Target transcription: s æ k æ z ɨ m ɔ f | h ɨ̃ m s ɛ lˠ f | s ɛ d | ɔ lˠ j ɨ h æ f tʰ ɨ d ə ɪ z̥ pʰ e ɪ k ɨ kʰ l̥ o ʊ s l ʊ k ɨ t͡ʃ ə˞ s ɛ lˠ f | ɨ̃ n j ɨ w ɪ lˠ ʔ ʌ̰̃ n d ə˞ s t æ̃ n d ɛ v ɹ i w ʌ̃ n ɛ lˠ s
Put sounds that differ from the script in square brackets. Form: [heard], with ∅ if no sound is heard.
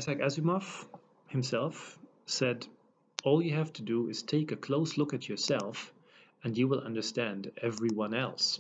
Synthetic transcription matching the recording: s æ k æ z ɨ m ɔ f | h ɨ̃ m s ɛ lˠ f | s ɛ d | ɔ lˠ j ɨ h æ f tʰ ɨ d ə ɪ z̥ [tʰ] e ɪ k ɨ kʰ l̥ o ʊ s l ʊ k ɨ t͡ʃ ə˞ s ɛ lˠ f | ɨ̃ n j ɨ w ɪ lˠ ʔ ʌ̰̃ n d ə˞ s t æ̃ n d ɛ v ɹ i w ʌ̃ n ɛ lˠ s